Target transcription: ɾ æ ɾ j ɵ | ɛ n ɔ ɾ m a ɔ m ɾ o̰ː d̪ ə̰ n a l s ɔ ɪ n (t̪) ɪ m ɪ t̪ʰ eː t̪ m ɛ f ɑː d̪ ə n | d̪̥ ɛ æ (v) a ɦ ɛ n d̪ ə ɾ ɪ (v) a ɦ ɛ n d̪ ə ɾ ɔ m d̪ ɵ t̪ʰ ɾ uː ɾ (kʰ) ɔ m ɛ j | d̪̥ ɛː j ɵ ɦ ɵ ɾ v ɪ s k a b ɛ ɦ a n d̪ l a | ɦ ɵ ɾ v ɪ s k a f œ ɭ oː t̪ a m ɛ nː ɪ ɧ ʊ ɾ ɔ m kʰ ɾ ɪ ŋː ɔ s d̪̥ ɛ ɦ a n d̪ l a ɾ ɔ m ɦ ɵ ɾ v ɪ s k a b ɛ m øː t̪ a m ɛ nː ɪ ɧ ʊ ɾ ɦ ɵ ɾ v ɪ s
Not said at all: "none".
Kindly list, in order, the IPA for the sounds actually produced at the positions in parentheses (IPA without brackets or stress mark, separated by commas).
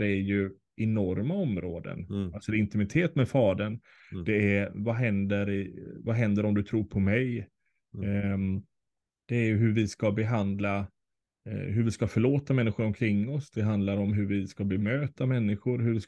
t̪, v, v, pʰ